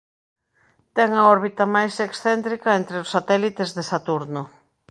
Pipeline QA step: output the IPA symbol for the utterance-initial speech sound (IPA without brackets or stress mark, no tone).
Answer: t̪